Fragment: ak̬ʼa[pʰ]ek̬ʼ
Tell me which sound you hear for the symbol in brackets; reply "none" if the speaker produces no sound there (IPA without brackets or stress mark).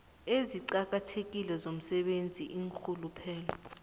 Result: tʰ